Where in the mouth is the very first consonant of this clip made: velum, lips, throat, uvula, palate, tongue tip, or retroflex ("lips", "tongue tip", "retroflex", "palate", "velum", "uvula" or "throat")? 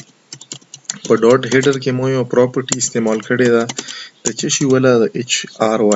lips